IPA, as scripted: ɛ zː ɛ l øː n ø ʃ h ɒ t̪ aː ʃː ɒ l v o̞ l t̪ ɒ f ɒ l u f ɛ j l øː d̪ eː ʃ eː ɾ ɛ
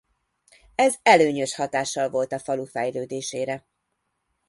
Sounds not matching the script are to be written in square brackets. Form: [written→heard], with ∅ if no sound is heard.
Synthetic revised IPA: ɛ [zː→z] ɛ l øː [n→ɲ] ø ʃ h ɒ t̪ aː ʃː ɒ l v o̞ l t̪ ɒ f ɒ l u f ɛ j l øː d̪ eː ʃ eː ɾ ɛ